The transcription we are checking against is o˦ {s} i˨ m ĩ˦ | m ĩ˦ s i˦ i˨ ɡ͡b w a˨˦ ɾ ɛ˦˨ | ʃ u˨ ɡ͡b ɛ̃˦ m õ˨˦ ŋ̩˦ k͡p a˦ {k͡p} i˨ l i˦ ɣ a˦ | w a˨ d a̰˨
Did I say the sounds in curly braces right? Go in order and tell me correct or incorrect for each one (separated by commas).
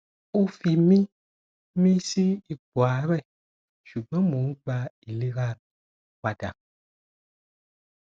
incorrect, incorrect